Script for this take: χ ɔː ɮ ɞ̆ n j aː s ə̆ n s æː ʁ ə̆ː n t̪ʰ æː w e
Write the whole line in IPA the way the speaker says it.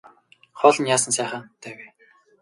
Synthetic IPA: χ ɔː ɮ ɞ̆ n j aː s ə̆ n s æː χ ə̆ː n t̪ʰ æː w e